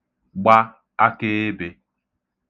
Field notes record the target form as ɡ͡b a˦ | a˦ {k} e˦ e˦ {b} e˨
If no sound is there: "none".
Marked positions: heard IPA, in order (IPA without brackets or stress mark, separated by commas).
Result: k, b